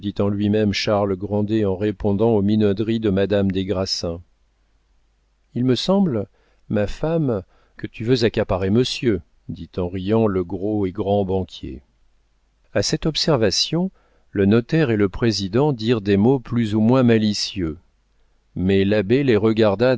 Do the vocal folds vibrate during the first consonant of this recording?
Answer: yes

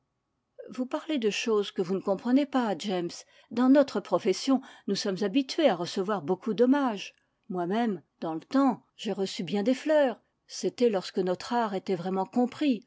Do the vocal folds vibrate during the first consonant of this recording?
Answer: yes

